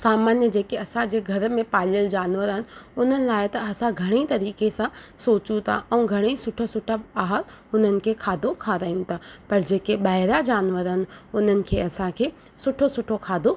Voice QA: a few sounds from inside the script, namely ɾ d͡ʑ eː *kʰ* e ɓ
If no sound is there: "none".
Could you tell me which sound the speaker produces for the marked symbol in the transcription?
k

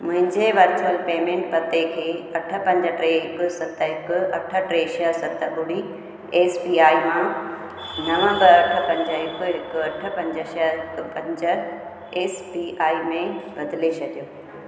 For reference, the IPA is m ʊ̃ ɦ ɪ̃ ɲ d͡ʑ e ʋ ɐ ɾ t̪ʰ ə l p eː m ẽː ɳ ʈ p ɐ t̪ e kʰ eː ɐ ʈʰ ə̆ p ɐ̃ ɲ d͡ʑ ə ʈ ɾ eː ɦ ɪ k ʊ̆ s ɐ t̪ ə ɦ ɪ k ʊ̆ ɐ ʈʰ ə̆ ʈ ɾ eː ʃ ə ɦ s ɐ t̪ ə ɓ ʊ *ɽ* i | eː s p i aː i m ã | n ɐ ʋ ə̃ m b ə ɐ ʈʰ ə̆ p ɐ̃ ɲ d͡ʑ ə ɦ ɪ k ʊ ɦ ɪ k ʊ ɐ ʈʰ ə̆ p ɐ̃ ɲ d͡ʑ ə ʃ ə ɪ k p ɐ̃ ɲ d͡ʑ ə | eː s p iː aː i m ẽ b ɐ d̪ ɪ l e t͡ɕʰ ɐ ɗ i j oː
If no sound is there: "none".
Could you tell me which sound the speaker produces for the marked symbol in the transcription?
ɽ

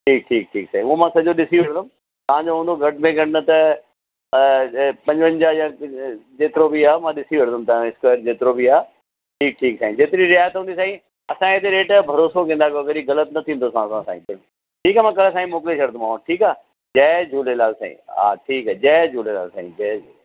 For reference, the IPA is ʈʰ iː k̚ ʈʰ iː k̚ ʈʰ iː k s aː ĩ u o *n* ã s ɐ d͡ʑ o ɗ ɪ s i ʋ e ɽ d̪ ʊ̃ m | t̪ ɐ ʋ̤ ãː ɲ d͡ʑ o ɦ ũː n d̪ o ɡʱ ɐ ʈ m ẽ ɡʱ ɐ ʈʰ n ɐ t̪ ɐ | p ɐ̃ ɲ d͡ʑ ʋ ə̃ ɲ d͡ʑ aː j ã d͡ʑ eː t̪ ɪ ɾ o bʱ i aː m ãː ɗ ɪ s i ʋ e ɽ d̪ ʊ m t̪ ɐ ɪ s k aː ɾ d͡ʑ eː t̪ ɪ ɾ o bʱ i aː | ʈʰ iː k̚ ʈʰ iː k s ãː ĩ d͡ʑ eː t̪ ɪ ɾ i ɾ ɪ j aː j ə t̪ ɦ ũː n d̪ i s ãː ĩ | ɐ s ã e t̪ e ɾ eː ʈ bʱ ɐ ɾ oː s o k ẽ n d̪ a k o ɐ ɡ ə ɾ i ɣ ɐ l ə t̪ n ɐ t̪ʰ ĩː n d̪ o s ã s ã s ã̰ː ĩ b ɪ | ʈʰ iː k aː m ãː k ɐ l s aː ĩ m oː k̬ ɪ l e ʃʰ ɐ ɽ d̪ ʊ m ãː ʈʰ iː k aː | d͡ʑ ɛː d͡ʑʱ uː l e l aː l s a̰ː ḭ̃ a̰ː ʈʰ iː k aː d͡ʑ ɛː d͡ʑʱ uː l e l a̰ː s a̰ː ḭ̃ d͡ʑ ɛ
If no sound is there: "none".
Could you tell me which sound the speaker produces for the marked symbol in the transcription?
m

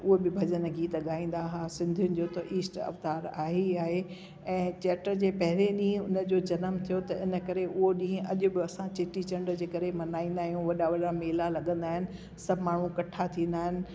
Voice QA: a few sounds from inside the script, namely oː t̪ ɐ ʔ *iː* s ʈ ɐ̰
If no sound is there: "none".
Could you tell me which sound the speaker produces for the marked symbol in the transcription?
iː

